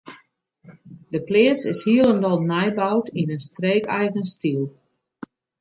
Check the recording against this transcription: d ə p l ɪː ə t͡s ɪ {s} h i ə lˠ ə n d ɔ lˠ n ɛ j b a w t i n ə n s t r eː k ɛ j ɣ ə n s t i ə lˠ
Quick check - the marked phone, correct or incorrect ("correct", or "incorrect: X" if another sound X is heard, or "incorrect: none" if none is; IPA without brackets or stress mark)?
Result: correct